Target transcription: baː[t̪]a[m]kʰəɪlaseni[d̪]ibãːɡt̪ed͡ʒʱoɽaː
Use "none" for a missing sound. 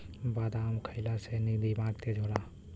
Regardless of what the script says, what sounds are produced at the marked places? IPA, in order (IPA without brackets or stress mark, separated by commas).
d̪, m, d̪